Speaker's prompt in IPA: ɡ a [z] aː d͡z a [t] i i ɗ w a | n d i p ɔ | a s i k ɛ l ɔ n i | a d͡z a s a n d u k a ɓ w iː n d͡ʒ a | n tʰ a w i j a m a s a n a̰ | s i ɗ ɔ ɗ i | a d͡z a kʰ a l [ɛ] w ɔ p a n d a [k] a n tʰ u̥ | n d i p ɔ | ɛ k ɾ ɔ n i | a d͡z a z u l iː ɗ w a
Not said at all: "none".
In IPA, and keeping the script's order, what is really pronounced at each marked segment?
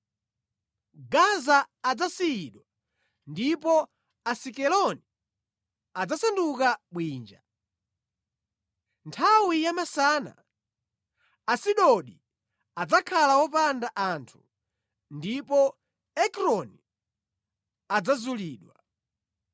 z, s, a, ʔ

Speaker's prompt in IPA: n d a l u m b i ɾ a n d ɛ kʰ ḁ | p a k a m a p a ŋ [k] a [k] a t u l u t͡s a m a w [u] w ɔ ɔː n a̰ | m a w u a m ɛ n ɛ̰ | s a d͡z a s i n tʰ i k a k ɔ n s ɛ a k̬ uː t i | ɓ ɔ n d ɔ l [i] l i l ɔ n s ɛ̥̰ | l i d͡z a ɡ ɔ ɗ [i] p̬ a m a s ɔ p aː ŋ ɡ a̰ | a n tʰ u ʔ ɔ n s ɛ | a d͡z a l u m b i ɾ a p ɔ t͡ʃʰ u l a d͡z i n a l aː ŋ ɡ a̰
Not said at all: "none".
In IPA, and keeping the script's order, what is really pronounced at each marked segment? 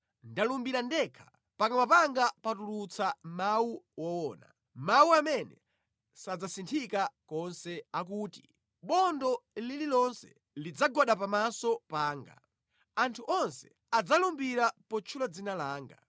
ɡ, p, u, i, a

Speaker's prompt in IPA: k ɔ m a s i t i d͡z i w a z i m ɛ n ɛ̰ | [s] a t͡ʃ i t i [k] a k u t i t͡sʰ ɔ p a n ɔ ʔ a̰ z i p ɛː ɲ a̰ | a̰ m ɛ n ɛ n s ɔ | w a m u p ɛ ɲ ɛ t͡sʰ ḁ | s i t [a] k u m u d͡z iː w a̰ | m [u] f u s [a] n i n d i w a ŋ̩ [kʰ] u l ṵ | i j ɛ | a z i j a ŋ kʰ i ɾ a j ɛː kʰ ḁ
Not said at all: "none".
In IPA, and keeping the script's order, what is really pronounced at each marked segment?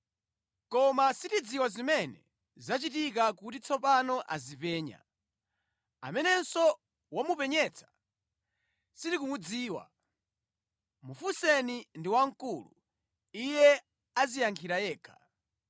z, k, i, u, ɛ, k

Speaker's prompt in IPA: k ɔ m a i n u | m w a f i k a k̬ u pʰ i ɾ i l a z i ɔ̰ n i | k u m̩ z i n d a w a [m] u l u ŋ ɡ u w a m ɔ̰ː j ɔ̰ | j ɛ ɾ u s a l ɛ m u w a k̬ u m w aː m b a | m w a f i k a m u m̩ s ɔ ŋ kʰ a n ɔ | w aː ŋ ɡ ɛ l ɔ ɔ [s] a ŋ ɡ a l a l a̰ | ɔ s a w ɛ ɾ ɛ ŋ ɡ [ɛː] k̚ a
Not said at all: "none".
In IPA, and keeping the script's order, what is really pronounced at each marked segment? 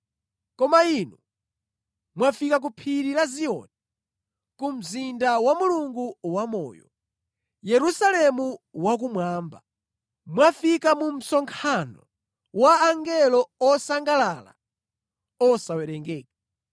m, s, ɛː

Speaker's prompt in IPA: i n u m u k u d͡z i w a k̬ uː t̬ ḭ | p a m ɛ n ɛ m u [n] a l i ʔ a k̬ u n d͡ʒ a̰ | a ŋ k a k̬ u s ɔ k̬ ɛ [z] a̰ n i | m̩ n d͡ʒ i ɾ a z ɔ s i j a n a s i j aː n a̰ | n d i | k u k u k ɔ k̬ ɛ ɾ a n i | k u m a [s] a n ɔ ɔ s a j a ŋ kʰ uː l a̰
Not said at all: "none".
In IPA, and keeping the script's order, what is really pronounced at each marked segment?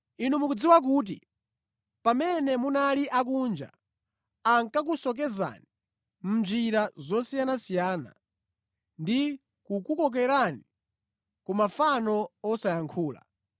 n, z, f

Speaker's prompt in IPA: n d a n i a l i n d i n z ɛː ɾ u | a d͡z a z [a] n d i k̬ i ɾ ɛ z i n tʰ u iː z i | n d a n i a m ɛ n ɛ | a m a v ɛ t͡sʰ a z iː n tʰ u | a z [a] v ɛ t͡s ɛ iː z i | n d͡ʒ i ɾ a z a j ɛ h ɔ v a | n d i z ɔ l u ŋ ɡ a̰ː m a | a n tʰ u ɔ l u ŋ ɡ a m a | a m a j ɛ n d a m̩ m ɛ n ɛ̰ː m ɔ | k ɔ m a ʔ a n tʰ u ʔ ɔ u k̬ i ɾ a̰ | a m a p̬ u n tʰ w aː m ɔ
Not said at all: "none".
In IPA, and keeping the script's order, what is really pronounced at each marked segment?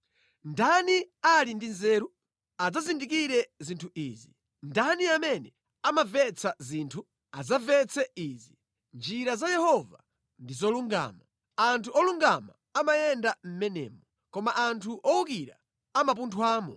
i, a

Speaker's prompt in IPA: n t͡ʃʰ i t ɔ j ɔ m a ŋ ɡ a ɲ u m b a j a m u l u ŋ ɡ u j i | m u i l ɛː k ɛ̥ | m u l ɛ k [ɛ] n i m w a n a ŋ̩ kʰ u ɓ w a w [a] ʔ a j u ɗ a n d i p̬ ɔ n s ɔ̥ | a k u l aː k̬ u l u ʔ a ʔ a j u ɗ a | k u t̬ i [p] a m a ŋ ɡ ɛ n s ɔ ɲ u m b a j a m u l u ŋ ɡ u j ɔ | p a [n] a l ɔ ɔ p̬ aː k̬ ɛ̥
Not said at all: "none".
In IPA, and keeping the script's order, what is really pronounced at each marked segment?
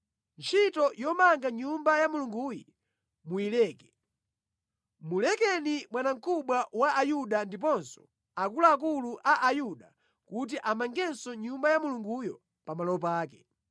ɛ, a, ʔ, m

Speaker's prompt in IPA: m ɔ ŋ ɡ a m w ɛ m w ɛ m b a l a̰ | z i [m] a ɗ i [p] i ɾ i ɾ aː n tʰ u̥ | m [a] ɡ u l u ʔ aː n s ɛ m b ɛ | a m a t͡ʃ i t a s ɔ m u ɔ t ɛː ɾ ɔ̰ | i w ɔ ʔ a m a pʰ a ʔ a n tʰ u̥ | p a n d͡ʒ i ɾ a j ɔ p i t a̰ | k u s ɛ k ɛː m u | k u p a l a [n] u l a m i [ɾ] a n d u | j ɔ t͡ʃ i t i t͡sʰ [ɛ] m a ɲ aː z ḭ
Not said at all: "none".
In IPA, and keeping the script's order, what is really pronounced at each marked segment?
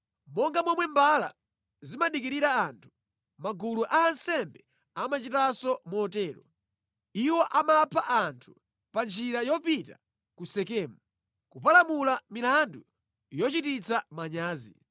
m, k, a, m, l, a

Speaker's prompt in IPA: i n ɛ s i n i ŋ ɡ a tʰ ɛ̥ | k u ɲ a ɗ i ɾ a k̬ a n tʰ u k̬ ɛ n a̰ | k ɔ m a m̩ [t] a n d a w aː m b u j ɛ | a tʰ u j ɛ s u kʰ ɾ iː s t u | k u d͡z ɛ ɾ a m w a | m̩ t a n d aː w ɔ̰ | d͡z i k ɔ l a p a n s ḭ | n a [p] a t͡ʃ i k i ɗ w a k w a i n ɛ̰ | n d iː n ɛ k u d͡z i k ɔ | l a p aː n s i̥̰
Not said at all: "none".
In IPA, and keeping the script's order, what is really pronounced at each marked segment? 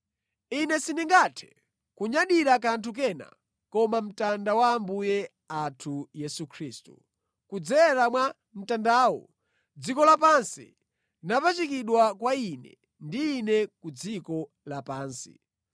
t, p

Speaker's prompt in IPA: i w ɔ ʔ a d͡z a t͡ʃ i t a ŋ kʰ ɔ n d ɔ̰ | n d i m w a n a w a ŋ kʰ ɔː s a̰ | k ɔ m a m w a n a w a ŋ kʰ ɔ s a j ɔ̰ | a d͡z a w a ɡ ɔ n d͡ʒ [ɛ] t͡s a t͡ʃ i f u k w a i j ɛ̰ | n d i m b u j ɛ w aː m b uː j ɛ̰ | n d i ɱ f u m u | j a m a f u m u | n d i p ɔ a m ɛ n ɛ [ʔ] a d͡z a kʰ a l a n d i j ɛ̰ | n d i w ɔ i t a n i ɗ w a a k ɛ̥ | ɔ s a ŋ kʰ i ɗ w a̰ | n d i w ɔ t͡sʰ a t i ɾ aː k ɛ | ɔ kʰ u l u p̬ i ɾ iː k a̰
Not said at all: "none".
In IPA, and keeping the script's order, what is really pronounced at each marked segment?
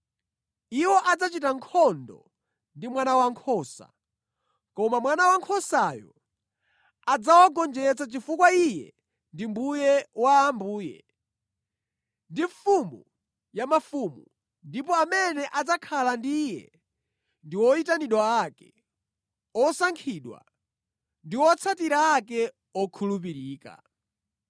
ɛ, ʔ

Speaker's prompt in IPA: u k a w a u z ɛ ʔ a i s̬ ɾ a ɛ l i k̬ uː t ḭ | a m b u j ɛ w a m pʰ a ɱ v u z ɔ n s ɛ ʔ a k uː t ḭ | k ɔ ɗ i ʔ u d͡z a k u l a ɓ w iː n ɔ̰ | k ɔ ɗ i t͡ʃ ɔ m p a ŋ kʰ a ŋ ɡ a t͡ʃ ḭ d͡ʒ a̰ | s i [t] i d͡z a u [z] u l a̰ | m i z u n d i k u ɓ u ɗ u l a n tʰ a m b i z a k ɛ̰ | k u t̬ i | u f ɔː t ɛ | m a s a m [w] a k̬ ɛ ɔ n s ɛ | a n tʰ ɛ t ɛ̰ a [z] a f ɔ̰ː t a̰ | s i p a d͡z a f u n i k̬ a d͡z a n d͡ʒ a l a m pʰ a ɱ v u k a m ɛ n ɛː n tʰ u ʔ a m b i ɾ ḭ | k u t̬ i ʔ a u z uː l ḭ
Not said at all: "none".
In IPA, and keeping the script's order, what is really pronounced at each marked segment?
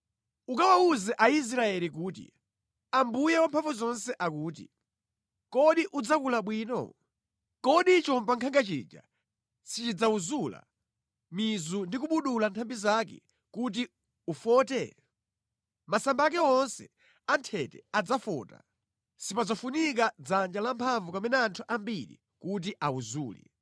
t͡ʃ, z, b, d͡z

